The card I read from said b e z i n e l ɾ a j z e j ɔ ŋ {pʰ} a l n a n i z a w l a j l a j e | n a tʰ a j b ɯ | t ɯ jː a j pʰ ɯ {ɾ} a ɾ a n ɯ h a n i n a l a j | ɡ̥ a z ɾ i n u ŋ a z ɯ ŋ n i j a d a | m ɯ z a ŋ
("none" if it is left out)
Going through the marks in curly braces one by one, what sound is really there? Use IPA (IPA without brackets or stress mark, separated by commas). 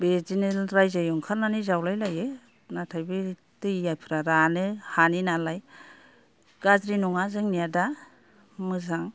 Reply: kʰ, ɾ